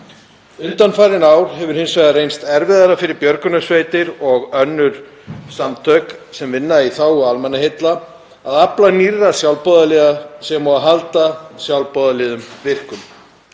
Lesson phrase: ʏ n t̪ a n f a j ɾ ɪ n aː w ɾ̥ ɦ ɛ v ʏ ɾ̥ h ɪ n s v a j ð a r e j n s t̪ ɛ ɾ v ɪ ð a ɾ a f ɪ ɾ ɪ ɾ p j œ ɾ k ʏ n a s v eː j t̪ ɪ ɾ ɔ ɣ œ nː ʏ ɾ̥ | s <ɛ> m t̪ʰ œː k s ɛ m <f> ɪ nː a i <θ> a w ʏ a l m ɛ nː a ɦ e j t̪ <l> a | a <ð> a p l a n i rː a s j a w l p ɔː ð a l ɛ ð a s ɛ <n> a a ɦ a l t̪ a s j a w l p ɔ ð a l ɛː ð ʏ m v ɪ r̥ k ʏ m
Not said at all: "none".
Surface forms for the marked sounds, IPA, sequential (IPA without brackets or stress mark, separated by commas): a, v, θ, l, ð, m